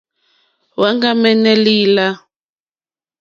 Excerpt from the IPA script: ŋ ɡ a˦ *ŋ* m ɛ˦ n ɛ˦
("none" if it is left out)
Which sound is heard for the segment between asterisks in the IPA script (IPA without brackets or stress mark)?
none